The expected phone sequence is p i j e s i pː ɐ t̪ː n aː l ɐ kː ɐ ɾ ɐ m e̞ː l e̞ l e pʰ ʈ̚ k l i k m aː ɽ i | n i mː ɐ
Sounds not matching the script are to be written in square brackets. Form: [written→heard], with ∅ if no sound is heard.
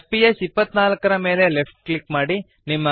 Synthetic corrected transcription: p i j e s i pː ɐ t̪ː n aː l ɐ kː ɐ ɾ ɐ m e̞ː l e̞ l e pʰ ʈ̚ k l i k m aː ɽ i | n i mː ɐ